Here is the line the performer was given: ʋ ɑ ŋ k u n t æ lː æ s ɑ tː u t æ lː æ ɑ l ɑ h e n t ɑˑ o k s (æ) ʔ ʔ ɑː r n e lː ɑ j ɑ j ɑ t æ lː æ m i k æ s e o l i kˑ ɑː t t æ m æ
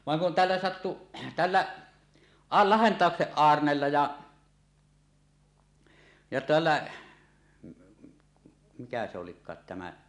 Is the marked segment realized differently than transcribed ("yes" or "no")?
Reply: yes